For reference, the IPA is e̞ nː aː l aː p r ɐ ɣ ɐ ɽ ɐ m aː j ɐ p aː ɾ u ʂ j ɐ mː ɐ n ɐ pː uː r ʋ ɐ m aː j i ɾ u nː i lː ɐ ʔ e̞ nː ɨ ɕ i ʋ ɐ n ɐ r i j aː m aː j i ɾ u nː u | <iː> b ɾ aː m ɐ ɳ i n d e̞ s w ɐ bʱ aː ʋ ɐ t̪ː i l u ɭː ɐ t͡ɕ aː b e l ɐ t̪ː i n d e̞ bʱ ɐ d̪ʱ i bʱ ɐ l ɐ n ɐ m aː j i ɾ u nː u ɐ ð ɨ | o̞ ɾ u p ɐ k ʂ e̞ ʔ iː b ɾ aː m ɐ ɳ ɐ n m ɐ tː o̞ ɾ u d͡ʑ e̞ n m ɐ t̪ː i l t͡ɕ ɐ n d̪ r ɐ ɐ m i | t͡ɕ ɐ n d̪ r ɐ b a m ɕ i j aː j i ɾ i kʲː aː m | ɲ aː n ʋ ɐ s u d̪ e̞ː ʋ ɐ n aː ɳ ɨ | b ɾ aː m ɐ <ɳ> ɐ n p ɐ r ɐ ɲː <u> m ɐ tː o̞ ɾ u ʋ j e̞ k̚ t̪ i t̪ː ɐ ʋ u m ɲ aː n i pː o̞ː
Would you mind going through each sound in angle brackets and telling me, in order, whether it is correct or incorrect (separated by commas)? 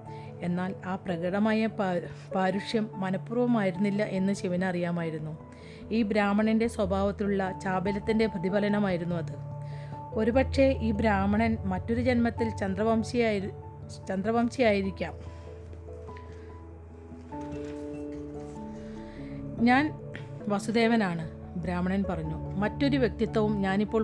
correct, correct, correct